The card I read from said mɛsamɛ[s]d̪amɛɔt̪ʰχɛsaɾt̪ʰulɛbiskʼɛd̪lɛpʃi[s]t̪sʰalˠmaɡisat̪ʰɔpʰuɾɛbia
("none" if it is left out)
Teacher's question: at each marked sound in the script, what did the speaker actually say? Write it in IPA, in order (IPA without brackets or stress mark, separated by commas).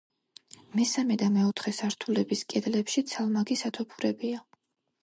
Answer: none, none